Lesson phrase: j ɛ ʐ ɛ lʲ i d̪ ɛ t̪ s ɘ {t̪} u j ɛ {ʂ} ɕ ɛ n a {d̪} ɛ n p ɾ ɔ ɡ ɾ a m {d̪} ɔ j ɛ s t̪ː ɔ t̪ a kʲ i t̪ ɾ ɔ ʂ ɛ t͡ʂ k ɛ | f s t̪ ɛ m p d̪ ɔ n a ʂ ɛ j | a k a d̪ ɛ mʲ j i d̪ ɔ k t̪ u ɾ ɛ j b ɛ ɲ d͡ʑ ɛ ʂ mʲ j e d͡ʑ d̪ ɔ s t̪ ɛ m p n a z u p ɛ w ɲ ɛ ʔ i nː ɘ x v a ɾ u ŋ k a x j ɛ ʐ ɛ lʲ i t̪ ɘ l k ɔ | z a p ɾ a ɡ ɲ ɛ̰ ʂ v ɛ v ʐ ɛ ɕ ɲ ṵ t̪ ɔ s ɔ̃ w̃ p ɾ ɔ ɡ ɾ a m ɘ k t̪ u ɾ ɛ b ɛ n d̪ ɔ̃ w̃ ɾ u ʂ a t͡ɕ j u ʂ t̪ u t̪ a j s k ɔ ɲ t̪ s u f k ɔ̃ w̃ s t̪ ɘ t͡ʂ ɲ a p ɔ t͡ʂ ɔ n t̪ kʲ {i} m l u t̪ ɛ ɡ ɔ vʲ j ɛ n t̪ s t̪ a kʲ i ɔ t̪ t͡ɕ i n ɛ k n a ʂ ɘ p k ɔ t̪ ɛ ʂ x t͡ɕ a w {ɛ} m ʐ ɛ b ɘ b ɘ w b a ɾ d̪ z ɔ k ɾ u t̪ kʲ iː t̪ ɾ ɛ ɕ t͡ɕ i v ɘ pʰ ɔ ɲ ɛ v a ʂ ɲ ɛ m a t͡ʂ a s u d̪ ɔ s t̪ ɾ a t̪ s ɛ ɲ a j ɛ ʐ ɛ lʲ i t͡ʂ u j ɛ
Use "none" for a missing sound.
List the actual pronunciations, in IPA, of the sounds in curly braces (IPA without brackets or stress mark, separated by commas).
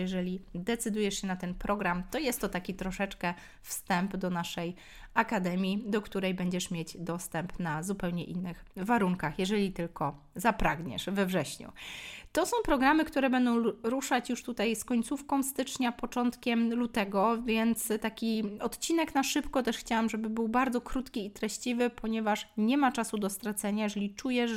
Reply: d̪, ʂ, t̪, t̪, ɛ, a